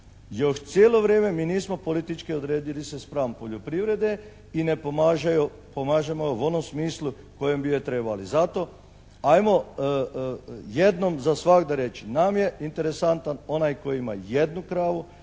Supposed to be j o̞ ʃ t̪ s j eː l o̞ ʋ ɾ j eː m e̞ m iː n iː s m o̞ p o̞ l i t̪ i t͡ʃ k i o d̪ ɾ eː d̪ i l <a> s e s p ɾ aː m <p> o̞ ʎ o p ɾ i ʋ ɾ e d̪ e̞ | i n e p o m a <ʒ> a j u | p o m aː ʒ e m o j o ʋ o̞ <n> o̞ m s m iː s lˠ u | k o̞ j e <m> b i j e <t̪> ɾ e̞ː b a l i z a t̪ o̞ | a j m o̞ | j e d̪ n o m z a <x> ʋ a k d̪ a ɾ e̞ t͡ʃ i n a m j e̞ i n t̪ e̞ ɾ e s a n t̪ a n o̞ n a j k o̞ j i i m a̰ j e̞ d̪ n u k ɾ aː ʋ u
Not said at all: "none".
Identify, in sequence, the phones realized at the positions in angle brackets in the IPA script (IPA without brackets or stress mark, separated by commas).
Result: i, p, ʒ, n, m, t̪, s